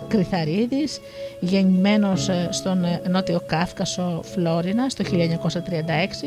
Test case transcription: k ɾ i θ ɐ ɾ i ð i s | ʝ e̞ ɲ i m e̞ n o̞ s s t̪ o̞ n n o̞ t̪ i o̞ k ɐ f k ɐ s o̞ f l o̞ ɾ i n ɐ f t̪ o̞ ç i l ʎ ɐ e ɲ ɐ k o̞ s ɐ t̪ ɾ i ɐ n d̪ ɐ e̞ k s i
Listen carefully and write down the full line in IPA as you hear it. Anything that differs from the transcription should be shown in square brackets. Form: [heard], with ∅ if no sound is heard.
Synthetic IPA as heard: k ɾ i θ ɐ ɾ i ð i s | ʝ e̞ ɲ i m e̞ n o̞ s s t̪ o̞ n n o̞ t̪ i o̞ k ɐ f k ɐ s o̞ f l o̞ ɾ i n ɐ [s] t̪ o̞ ç i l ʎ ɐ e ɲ ɐ k o̞ s ɐ t̪ ɾ i ɐ n d̪ ɐ e̞ k s i